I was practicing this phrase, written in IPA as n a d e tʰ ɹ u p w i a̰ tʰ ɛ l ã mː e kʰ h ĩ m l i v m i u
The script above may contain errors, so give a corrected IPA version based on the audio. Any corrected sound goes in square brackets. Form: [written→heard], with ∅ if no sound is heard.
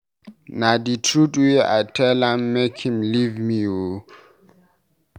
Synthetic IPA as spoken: n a d [e→i] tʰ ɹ u [p→t] w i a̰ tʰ ɛ l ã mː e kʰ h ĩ m l i v m i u